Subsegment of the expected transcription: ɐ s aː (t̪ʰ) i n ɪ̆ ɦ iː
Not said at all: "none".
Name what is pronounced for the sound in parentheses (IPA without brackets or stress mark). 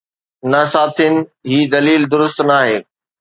t̪ʰ